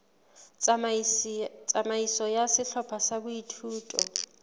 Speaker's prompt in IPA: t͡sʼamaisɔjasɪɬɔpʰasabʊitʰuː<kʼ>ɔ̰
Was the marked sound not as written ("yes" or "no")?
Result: yes